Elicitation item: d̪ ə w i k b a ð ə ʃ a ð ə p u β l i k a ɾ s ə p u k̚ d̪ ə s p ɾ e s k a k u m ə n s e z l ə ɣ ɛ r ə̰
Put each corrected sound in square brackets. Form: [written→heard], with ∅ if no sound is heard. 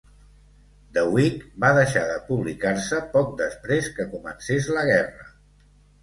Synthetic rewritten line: d̪ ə w i k b a ð ə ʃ a ð ə p u β l i k a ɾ s ə p [u→ɔ] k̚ d̪ ə s p ɾ e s k [a→ə] k u m ə n s e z l ə ɣ ɛ r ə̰